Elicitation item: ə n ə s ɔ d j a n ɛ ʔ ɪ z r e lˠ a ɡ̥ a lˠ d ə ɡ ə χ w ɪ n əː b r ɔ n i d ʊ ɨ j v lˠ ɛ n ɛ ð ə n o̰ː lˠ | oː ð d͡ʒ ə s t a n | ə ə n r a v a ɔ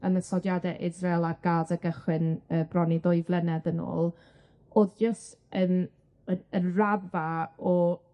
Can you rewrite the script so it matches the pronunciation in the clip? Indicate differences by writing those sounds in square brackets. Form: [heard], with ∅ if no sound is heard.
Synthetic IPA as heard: ə n ə s ɔ d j a [d] ɛ ʔ ɪ z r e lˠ a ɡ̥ a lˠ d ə ɡ ə χ w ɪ n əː b r ɔ n i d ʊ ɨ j v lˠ ɛ n ɛ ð ə n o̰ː lˠ | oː ð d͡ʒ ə s t [ə] n | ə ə n r a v a ɔ